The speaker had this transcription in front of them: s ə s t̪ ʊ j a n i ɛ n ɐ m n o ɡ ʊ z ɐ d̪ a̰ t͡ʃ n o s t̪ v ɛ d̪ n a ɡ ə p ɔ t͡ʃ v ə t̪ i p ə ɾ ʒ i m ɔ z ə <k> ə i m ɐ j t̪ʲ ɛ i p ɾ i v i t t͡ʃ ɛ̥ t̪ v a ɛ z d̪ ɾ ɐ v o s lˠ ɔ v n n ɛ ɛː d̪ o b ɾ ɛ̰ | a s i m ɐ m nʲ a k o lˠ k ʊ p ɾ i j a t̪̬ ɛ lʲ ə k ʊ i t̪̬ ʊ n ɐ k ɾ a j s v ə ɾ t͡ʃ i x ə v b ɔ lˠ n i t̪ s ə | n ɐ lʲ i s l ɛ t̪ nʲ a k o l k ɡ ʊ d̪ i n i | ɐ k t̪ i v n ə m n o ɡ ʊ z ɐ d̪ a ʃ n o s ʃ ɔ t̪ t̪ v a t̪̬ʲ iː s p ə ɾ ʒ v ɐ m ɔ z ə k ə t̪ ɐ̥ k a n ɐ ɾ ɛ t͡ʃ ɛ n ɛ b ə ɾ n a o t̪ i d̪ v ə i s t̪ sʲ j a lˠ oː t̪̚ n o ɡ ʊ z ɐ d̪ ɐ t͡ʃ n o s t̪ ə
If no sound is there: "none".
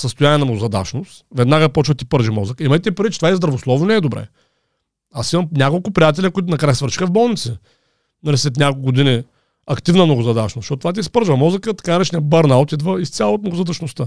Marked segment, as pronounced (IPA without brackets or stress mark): k